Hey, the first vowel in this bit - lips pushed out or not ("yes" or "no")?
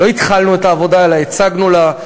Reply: yes